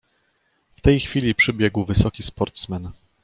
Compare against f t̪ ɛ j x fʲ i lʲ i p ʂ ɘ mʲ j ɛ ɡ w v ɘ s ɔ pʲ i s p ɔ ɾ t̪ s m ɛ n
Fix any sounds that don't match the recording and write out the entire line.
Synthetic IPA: f t̪ ɛ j x fʲ i lʲ i p ʂ ɘ bʲ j ɛ ɡ w v ɘ s ɔ kʲ i s p ɔ ɾ t̪ s m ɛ n